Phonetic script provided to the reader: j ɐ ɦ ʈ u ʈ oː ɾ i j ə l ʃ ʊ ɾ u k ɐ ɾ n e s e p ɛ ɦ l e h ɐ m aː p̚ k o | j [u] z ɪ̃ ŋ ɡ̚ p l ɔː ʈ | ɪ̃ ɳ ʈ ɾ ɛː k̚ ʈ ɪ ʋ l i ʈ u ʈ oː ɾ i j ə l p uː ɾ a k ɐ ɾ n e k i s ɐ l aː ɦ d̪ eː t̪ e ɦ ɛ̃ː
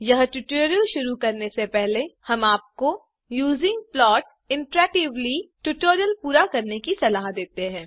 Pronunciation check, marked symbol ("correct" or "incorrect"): incorrect